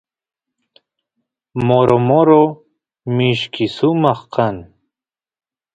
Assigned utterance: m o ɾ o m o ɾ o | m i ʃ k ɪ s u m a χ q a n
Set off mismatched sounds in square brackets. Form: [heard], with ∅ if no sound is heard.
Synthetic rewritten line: m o ɾ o m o ɾ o | m i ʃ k [i] s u m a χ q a n